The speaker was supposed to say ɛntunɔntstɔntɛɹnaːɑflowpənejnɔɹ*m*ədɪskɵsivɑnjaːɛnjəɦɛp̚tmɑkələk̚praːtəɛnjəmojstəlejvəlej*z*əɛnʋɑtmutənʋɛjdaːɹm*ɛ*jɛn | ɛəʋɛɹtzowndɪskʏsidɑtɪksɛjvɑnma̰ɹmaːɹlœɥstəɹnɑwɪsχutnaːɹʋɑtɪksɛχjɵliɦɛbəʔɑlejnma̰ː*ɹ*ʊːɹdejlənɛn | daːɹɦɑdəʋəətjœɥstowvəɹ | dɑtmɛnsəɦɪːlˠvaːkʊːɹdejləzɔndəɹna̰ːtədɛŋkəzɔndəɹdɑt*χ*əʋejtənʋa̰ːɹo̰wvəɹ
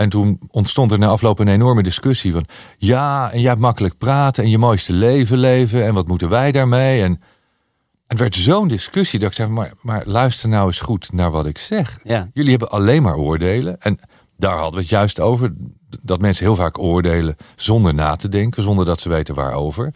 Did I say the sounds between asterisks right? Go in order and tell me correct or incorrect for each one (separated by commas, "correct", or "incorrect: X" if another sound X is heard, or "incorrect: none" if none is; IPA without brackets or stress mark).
correct, incorrect: v, incorrect: e, correct, incorrect: s